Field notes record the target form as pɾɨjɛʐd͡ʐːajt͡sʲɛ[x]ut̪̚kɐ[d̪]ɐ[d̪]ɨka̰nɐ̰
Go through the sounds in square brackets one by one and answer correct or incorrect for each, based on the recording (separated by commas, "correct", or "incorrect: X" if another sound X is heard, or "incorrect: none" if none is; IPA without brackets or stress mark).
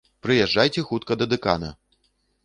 correct, correct, correct